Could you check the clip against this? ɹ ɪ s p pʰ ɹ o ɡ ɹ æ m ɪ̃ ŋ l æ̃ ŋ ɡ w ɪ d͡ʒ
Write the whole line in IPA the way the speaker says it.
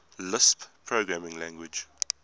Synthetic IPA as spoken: l ɪ s p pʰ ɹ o ɡ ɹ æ m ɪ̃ ŋ l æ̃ ŋ ɡ w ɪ d͡ʒ